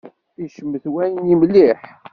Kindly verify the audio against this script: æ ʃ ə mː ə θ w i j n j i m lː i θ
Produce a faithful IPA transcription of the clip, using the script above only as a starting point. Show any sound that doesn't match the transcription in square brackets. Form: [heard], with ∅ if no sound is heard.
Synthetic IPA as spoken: [i] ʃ ə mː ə θ w [æ] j n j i m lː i [ħ]